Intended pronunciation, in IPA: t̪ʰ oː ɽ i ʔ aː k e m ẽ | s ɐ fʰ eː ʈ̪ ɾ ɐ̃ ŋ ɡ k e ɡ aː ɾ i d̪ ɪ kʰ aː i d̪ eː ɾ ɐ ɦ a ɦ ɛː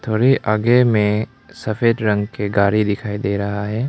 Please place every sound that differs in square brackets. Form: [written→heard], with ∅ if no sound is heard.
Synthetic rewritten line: t̪ʰ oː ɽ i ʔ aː [k→ɡ] e m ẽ | s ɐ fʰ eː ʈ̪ ɾ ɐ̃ ŋ ɡ k e ɡ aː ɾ i d̪ ɪ kʰ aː i d̪ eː ɾ ɐ ɦ a ɦ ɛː